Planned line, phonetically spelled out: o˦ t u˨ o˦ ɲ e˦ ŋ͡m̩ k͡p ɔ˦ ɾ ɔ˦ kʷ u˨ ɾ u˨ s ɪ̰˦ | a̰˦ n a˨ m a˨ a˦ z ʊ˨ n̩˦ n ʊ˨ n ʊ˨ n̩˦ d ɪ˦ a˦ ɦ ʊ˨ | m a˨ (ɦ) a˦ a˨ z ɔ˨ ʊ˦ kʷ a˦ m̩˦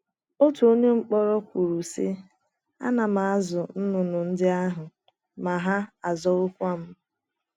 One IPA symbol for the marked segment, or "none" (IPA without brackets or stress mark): ɦ